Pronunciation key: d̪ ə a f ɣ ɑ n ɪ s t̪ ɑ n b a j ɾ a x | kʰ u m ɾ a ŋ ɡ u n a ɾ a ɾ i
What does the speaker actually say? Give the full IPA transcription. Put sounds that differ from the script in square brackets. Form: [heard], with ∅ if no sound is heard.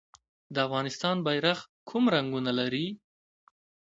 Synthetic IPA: d̪ ə a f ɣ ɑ n ɪ s t̪ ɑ n b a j ɾ a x | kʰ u m ɾ a ŋ ɡ u n a [l] a ɾ i